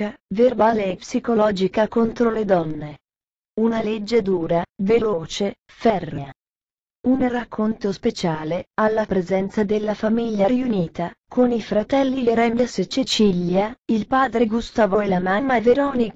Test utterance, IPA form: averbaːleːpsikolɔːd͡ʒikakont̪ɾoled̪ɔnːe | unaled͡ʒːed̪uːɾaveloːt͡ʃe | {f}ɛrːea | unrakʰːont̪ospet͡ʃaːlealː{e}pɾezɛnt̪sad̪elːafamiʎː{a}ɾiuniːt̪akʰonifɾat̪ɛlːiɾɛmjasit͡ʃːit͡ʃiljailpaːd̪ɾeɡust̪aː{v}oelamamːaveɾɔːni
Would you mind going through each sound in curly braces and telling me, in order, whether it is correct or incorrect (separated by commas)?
correct, incorrect, correct, correct